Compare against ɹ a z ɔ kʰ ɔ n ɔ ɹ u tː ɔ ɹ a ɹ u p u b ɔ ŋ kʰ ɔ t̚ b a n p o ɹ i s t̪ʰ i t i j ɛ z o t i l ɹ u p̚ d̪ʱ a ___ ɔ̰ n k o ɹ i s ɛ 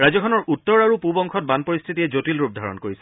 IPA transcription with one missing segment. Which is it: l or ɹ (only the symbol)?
ɹ